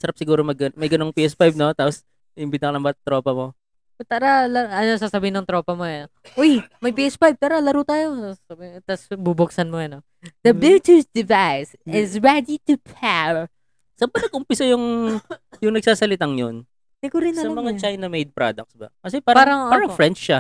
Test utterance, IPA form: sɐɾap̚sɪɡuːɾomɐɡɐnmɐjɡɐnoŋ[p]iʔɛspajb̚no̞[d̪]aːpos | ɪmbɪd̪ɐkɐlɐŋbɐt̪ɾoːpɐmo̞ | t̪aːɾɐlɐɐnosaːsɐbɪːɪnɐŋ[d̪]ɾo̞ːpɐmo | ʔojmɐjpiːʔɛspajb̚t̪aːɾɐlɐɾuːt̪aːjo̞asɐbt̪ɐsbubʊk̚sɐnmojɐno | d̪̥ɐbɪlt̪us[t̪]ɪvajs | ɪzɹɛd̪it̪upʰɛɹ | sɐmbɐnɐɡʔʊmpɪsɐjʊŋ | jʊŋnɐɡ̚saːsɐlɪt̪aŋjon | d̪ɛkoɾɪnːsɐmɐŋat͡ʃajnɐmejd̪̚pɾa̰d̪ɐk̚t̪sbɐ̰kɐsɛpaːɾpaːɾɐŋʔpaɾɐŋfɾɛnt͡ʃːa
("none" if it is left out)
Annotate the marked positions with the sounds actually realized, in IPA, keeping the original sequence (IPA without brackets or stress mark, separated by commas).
p, t̪, t̪, d̪